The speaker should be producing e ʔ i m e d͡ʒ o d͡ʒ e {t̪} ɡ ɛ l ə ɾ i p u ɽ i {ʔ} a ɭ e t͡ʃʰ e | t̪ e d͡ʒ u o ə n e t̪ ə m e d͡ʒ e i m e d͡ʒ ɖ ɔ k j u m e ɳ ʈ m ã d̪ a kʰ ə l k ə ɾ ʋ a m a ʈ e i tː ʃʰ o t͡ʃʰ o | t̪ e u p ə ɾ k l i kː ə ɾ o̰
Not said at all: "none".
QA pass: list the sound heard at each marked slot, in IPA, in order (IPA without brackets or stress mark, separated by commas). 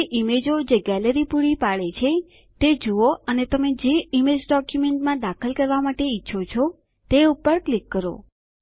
none, p